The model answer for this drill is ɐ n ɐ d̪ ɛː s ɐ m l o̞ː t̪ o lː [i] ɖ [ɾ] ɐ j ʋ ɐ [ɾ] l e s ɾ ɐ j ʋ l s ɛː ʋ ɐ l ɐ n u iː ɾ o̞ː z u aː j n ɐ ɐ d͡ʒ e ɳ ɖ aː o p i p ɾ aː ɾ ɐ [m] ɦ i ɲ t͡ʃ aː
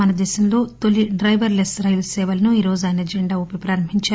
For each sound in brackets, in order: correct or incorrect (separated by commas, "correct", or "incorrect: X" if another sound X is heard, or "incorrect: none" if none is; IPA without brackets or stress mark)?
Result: correct, correct, correct, correct